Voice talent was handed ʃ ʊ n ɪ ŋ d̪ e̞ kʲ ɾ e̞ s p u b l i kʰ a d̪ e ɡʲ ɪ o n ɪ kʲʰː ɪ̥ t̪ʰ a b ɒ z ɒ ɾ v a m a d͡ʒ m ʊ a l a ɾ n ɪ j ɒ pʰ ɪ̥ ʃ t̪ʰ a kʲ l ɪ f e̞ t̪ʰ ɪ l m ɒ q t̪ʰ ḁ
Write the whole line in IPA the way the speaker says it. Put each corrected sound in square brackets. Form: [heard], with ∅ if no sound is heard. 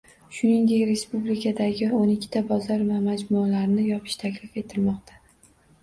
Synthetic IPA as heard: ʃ ʊ n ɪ ŋ d̪ e̞ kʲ ɾ e̞ s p u b l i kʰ a d̪ [a] ɡʲ ɪ o n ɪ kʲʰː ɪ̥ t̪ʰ a b ɒ z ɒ ɾ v a m a d͡ʒ m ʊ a l a ɾ n ɪ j ɒ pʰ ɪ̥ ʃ t̪ʰ a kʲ l ɪ f e̞ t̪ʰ ɪ l m ɒ q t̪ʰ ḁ